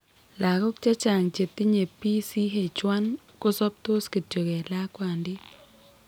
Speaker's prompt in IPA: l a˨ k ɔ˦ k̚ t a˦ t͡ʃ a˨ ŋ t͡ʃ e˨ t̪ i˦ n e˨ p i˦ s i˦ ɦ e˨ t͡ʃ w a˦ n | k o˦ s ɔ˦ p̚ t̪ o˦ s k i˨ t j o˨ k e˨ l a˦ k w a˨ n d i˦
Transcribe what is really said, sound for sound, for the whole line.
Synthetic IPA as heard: l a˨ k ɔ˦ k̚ t͡ʃ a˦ t͡ʃ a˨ ŋ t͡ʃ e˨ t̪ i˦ ɲ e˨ p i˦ s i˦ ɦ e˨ t͡ʃ w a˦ n | k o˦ s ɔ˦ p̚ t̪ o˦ s k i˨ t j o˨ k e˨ l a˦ k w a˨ n d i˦